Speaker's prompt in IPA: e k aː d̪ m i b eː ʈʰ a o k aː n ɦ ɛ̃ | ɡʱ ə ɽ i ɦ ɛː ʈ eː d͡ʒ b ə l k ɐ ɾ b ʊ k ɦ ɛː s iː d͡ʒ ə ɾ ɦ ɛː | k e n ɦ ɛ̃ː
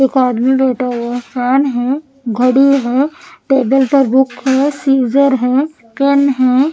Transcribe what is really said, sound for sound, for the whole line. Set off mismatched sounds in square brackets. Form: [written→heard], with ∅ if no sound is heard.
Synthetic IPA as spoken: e k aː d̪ m i b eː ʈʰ a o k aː n ɦ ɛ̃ | ɡʱ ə ɽ i ɦ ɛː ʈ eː [d͡ʒ→∅] b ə l [k→p] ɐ ɾ b ʊ k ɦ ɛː s iː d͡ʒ ə ɾ ɦ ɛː | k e n ɦ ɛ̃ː